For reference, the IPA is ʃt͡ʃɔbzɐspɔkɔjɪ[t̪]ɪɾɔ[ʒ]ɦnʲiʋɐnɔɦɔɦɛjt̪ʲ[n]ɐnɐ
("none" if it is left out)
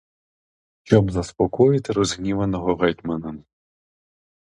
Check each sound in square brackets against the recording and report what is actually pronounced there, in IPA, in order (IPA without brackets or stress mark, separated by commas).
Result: t̪, z, m